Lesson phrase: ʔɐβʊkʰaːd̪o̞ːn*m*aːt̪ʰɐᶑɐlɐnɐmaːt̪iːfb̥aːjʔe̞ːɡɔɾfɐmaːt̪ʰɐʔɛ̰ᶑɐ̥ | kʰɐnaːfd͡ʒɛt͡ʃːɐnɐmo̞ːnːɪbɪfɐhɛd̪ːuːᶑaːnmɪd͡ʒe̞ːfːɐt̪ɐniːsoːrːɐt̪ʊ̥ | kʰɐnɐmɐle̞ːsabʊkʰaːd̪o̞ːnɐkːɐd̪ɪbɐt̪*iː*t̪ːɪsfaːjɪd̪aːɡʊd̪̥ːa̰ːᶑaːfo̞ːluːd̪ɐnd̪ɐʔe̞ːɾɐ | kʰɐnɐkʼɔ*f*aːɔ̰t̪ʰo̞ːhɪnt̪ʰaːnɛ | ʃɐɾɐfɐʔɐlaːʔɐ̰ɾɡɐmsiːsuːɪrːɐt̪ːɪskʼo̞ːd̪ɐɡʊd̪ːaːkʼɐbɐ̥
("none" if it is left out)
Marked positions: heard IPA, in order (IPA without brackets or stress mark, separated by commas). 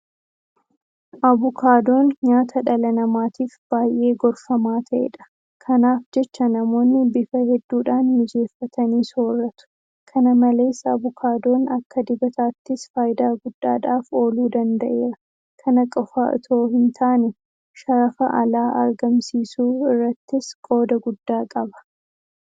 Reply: ɲ, aː, f